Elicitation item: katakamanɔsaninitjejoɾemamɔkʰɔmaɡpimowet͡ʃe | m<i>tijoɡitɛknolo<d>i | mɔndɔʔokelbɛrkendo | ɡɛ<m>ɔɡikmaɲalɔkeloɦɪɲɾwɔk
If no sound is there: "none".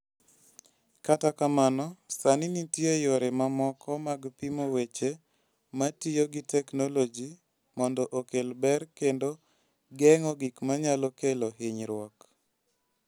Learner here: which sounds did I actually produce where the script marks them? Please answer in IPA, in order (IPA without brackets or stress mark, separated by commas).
a, d͡ʒ, ŋ